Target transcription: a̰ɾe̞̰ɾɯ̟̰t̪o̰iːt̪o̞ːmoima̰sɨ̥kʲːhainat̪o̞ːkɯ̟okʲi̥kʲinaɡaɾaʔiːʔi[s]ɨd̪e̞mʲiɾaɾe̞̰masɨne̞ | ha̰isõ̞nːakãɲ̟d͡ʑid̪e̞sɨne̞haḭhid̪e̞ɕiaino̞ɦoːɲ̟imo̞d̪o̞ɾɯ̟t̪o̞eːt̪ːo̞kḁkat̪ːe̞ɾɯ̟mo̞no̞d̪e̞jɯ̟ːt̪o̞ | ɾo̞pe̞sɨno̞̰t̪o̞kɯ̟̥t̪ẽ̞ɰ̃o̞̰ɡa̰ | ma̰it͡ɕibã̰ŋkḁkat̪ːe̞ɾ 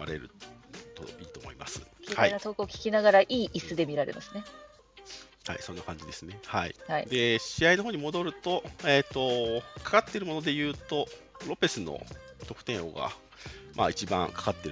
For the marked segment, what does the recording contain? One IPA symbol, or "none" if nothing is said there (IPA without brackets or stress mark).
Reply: s